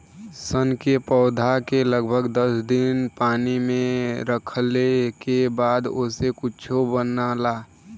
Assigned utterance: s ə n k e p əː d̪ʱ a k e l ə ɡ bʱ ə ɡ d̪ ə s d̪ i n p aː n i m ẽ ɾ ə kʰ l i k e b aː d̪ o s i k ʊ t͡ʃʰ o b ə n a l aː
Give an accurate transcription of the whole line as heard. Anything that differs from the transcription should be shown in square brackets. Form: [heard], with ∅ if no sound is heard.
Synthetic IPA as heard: s ə n k e p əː d̪ʱ a k e l ə ɡ bʱ ə ɡ d̪ ə s d̪ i n p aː n i m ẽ ɾ ə kʰ l [e] k e b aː d̪ o s [e] k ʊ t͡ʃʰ o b ə n a l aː